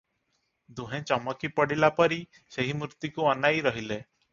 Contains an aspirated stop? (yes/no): no